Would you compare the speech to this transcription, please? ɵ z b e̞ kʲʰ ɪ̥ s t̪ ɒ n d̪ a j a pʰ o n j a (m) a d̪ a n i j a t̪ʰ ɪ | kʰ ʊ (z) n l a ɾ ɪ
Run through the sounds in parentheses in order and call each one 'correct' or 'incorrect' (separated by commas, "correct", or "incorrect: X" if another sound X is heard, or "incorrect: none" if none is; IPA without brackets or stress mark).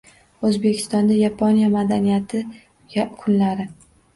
correct, incorrect: none